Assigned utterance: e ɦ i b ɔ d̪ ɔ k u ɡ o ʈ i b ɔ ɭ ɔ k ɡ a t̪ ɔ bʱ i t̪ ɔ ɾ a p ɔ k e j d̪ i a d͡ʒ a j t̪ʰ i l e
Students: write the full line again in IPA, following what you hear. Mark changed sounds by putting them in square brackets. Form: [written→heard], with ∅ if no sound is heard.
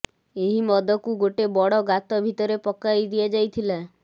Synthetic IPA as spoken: e ɦ i [b→m] ɔ d̪ ɔ k u ɡ o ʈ [i→e] b ɔ [ɭ→ɽ] ɔ [k→∅] ɡ a t̪ ɔ bʱ i t̪ ɔ ɾ [a→e] p ɔ k [e→a] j d̪ i a d͡ʒ a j t̪ʰ i l [e→a]